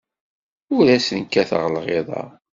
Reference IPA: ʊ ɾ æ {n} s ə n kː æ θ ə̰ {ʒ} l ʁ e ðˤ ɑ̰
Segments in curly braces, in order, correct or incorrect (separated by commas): incorrect, incorrect